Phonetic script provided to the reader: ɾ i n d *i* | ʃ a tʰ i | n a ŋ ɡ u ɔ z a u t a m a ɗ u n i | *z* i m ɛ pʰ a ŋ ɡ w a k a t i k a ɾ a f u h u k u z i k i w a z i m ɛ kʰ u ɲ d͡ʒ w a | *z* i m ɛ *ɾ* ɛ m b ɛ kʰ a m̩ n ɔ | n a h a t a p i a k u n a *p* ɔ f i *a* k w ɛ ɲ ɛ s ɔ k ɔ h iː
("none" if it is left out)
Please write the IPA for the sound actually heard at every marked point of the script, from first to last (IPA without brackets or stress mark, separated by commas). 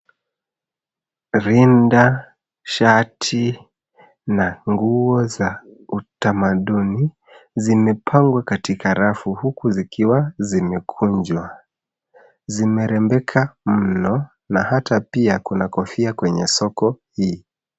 a, z, z, ɾ, k, a